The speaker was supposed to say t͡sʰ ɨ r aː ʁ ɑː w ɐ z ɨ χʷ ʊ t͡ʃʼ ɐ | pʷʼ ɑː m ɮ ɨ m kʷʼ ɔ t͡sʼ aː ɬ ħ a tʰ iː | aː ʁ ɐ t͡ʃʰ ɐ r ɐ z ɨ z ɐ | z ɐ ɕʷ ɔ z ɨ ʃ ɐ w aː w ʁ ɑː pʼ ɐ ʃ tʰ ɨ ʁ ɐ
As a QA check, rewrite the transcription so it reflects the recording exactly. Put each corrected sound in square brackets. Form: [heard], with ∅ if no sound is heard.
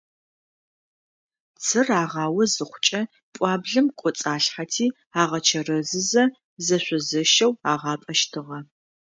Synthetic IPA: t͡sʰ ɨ r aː ʁ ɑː w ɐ z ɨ χʷ ʊ t͡ʃʼ ɐ | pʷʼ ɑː [b] ɮ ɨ m kʷʼ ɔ t͡sʼ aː ɬ ħ a tʰ iː | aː ʁ ɐ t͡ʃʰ ɐ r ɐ z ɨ z ɐ | z ɐ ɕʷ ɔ z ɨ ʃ ɐ w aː [∅] ʁ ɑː pʼ ɐ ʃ tʰ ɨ ʁ ɐ